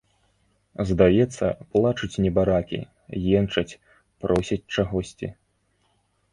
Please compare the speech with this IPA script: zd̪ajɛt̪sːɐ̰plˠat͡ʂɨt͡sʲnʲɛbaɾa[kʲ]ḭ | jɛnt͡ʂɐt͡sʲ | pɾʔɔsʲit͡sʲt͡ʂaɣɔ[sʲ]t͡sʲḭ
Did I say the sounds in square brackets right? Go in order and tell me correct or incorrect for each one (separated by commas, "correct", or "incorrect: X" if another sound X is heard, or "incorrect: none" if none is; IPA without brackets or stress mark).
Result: correct, correct